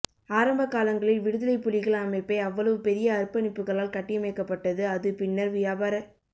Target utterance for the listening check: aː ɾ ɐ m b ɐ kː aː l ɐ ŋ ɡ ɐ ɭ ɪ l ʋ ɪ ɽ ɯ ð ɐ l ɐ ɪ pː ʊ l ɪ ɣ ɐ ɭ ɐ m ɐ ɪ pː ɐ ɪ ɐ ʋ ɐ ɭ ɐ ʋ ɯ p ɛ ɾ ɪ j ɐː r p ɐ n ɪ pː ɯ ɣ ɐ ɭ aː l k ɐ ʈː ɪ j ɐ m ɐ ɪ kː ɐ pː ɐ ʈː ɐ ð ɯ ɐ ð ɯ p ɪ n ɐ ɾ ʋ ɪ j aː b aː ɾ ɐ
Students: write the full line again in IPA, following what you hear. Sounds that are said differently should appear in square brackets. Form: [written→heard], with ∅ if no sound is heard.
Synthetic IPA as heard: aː ɾ ɐ m b ɐ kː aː l ɐ ŋ ɡ ɐ ɭ ɪ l ʋ ɪ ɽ ɯ ð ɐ l ɐ ɪ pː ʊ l ɪ ɣ ɐ ɭ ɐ m ɐ ɪ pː ɐ ɪ ɐ [ʋ→ʋː] ɐ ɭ ɐ ʋ ɯ p ɛ ɾ ɪ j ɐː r p ɐ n ɪ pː ɯ ɣ ɐ ɭ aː l k ɐ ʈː ɪ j ɐ m ɐ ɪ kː ɐ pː ɐ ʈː ɐ ð ɯ ɐ ð ɯ p ɪ [n→nː] ɐ ɾ ʋ ɪ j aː b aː ɾ ɐ